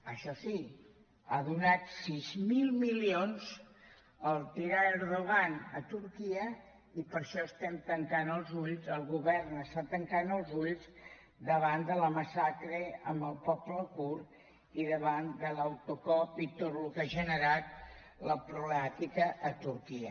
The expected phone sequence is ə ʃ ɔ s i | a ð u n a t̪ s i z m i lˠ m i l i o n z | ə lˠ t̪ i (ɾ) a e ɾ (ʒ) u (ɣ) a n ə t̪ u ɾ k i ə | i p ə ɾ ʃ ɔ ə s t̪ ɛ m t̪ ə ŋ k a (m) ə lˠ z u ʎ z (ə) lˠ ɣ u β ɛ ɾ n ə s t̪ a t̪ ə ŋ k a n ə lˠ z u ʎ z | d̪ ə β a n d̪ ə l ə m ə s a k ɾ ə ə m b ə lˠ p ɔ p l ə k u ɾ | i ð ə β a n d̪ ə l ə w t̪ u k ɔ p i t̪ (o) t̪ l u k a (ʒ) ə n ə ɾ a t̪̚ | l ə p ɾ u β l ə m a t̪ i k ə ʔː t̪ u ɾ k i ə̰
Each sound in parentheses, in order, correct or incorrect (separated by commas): correct, incorrect, correct, incorrect, correct, correct, correct